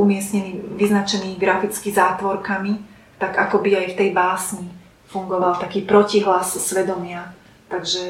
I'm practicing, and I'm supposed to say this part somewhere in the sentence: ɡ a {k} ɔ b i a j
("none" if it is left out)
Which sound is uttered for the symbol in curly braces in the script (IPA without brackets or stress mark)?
k